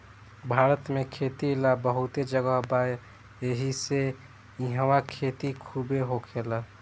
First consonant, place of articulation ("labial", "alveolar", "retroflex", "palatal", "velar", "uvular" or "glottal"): labial